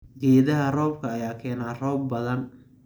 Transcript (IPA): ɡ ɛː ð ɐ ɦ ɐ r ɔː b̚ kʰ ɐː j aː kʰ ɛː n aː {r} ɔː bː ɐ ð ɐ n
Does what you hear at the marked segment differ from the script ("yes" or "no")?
no